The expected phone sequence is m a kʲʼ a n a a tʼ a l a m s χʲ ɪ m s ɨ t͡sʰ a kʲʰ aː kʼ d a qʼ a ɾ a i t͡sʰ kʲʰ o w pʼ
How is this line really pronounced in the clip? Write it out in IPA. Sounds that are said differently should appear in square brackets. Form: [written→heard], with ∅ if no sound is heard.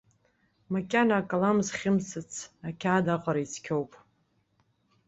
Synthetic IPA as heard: m a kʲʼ a n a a [tʼ→kʼ] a l a m [s→z] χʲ ɪ m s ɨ t͡sʰ a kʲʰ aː [kʼ→∅] d a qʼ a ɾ a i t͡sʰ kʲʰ o w pʼ